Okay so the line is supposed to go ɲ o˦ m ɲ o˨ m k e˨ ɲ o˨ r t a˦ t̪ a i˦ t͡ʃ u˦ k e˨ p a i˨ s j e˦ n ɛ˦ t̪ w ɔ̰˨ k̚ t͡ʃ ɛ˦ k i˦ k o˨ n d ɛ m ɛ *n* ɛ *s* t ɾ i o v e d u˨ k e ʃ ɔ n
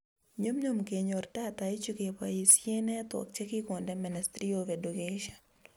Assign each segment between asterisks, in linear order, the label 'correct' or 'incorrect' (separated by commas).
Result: correct, correct